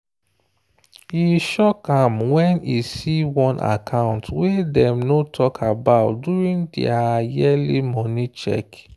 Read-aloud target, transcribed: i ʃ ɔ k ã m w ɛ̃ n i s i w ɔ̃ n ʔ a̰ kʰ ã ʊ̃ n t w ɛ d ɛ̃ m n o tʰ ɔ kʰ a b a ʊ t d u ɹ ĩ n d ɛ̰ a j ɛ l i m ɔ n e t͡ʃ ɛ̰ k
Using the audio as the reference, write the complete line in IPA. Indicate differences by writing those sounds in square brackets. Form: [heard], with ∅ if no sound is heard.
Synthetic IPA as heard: i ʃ ɔ k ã m w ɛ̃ n i s i w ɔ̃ n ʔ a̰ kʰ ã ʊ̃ n t w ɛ d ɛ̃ m n o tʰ ɔ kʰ a b a ʊ t d u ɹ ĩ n d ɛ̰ a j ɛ l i m ɔ n [i] t͡ʃ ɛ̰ k